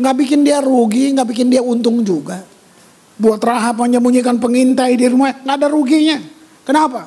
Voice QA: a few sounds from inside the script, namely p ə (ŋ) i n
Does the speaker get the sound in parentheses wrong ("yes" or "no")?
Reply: no